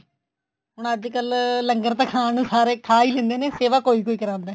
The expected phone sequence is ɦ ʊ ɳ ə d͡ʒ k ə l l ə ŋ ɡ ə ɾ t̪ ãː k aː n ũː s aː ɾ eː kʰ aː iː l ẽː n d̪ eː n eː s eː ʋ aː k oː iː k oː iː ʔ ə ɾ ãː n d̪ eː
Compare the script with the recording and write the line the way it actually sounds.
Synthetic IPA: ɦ ʊ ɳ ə d͡ʒ k ə l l ə ŋ ɡ ə ɾ t̪ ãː kʰ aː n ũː s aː ɾ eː kʰ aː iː l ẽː n d̪ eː n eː s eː ʋ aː k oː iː k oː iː k ə ɾ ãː n d̪ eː